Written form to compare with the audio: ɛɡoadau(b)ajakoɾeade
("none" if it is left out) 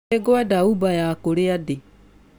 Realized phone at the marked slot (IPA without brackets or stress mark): b